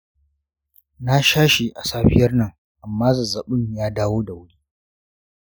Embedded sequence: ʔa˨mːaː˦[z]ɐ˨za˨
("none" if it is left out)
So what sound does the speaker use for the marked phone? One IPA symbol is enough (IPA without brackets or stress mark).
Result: z